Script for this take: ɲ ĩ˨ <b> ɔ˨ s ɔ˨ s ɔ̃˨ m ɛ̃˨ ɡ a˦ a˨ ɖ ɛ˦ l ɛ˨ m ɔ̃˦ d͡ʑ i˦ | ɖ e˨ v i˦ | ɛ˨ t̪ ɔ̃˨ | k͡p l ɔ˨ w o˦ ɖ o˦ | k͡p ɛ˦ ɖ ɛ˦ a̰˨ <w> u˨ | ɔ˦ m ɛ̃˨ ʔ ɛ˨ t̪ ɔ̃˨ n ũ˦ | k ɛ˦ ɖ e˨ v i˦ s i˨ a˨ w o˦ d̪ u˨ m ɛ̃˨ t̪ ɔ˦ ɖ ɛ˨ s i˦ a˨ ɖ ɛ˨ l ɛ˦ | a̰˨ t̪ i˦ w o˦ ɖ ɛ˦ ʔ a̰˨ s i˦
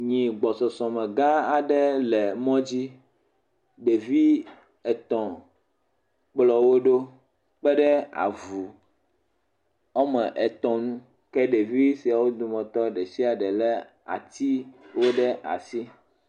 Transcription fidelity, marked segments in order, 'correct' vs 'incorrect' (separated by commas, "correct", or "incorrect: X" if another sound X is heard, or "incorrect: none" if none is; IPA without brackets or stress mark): incorrect: ɡ͡b, incorrect: v